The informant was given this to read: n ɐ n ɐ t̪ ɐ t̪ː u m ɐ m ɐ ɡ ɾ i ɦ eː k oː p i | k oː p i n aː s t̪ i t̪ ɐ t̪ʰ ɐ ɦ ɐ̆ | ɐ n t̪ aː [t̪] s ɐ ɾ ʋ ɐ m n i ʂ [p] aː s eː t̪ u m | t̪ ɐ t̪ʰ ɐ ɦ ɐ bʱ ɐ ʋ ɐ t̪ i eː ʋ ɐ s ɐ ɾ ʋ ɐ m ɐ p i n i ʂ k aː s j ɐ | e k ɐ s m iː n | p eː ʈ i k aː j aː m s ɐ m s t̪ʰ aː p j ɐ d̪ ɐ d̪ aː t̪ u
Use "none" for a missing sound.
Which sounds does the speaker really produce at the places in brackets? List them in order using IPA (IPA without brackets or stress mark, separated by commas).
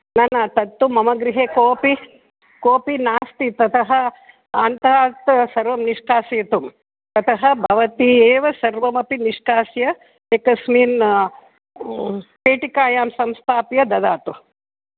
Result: t̪, k